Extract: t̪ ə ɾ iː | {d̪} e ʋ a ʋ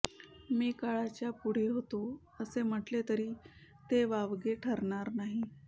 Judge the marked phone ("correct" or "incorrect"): incorrect